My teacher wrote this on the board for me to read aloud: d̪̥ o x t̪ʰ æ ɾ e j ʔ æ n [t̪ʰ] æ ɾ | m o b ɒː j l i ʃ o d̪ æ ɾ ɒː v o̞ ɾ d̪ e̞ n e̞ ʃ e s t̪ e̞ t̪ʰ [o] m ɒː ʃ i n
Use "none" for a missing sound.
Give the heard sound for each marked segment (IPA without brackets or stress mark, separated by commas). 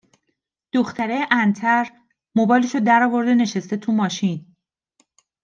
t̪ʰ, u